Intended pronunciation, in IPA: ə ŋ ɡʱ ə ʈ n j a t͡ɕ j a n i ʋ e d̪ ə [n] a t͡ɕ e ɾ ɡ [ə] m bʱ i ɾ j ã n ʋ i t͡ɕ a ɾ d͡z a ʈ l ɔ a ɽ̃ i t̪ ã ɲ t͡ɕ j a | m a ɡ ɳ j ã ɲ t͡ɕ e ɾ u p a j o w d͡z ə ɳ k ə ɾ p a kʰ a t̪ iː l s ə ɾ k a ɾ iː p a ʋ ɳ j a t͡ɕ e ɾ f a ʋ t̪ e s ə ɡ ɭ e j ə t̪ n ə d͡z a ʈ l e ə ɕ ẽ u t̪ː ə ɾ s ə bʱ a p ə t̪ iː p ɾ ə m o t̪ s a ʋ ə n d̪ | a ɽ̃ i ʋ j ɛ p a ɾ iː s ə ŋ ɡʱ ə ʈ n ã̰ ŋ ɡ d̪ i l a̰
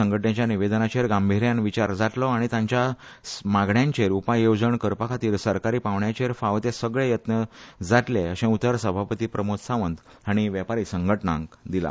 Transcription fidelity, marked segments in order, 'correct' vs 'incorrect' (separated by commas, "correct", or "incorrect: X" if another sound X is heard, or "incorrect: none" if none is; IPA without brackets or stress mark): correct, incorrect: a